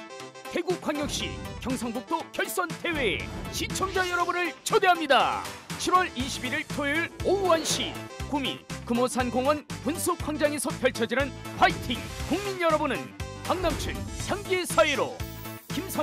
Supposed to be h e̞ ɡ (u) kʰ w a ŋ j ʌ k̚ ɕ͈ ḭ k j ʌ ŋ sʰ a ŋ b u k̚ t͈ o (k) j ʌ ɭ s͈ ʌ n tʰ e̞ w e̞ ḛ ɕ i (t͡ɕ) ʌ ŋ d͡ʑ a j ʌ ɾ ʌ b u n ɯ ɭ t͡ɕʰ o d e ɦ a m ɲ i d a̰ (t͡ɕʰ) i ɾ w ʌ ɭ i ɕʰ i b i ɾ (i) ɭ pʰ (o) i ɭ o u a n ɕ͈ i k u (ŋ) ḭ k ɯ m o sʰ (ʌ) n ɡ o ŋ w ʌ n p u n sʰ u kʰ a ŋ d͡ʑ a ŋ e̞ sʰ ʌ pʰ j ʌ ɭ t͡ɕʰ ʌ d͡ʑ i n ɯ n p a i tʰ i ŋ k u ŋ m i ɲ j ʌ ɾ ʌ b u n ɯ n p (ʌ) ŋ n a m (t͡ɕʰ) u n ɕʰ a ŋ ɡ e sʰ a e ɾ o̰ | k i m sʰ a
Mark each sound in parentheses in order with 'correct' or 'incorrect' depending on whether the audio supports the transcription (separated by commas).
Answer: correct, correct, incorrect, correct, correct, correct, incorrect, incorrect, incorrect, correct